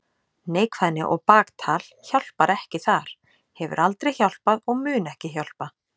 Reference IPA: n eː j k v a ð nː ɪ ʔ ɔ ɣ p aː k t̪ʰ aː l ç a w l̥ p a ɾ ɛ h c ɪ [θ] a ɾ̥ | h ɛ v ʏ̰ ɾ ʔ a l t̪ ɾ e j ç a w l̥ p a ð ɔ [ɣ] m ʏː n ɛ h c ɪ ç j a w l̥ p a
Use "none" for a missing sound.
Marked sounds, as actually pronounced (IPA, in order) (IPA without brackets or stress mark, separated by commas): θ, ɣ